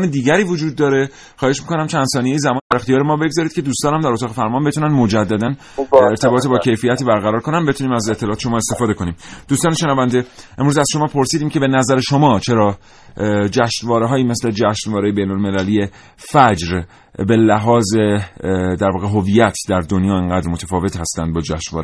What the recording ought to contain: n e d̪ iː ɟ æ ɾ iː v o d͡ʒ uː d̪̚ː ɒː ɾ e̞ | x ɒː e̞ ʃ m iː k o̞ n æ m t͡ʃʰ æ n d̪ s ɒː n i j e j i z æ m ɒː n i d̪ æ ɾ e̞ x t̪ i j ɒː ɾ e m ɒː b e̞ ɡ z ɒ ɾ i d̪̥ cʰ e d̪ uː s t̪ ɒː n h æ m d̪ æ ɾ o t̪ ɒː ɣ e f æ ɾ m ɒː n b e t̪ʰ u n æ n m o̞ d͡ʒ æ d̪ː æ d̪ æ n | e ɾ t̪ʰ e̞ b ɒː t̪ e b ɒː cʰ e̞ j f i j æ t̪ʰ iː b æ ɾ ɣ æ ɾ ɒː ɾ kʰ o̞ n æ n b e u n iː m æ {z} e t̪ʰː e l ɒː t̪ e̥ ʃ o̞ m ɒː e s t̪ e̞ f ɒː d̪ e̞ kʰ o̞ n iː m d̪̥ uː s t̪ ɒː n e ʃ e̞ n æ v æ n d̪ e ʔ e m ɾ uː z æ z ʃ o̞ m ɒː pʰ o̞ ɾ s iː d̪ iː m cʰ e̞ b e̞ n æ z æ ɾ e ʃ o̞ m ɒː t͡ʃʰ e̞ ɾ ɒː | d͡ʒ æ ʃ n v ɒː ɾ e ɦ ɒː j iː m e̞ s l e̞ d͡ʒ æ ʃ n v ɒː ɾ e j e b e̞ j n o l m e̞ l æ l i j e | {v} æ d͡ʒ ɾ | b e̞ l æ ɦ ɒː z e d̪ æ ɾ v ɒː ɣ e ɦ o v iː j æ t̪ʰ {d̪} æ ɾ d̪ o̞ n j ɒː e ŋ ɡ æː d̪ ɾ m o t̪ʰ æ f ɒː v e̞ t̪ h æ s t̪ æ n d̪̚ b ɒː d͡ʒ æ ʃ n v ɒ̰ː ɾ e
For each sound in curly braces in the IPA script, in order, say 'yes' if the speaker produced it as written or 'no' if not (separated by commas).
yes, no, yes